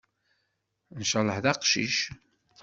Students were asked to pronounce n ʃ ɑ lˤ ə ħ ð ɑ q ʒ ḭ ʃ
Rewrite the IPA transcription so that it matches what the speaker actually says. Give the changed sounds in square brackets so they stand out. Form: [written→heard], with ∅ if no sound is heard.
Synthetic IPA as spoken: n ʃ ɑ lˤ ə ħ ð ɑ q [ʒ→ʃ] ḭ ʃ